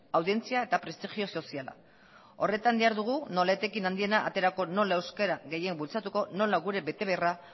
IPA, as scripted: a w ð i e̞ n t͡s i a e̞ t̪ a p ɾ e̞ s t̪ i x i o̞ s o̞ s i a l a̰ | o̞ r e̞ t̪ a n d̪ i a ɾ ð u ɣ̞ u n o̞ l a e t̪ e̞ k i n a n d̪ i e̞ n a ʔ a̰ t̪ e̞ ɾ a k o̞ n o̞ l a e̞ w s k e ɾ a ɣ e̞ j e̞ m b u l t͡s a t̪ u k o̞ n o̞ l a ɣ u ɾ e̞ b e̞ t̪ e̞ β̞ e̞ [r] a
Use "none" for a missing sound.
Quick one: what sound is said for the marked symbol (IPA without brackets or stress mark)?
r